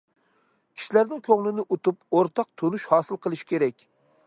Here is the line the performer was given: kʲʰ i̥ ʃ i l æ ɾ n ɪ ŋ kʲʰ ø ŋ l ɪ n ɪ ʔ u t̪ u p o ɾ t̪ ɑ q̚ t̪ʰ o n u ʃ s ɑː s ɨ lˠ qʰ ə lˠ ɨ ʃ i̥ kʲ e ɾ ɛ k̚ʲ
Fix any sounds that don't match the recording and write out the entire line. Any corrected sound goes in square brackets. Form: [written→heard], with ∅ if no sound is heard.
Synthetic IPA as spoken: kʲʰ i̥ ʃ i l æ ɾ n ɪ ŋ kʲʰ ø ŋ l ɪ n ɪ ʔ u t̪ u p o ɾ t̪ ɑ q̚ t̪ʰ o n u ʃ [s→h] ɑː s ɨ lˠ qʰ ə lˠ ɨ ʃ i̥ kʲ e ɾ ɛ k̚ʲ

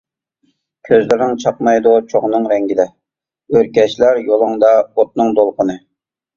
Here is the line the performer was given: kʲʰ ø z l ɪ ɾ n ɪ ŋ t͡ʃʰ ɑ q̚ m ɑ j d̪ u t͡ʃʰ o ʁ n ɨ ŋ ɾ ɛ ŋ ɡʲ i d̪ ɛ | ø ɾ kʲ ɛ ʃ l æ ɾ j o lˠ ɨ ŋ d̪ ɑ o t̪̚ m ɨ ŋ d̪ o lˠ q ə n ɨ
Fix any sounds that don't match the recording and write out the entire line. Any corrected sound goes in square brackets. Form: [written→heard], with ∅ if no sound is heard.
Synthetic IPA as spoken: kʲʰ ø z l ɪ ɾ n ɪ ŋ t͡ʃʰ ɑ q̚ m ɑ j d̪ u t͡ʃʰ o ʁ n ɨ ŋ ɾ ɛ ŋ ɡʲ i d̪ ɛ | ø ɾ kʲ ɛ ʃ l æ ɾ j o lˠ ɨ ŋ d̪ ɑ o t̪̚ [m→n] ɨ ŋ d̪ o lˠ q ə n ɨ

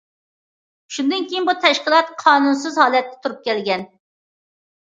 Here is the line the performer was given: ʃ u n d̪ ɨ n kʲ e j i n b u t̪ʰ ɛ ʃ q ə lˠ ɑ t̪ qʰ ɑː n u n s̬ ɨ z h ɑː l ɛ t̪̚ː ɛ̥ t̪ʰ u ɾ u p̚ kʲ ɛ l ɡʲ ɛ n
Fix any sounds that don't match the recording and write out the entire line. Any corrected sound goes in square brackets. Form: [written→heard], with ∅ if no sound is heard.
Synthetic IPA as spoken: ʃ u n d̪ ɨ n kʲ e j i n b u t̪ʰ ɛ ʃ q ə lˠ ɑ t̪ qʰ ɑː n u n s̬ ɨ z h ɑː l ɛ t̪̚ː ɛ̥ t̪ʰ u ɾ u p̚ kʲ ɛ l ɡʲ ɛ n

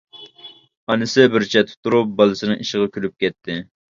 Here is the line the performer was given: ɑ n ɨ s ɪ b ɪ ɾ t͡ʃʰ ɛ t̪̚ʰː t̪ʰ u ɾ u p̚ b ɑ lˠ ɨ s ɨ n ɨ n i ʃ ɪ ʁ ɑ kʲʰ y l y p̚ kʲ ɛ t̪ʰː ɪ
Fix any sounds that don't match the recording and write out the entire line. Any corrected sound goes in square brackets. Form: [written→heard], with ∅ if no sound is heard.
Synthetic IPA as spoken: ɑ n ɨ s ɪ b ɪ ɾ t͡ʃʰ ɛ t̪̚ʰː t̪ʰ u ɾ u p̚ b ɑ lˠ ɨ s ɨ n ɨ [n→ŋ] i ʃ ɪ ʁ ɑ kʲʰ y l y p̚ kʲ ɛ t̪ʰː ɪ

